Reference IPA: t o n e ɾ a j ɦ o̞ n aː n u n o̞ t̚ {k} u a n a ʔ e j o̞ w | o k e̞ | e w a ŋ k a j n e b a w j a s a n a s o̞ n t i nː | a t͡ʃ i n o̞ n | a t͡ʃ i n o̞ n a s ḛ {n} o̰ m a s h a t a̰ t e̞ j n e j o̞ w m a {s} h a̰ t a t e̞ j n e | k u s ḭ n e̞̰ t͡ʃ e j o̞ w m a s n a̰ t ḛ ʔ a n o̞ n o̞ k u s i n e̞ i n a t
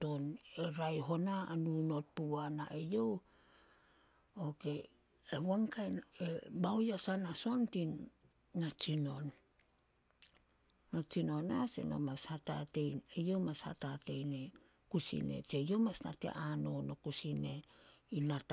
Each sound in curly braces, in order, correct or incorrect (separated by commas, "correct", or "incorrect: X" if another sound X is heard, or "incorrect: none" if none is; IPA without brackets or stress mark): incorrect: p, correct, correct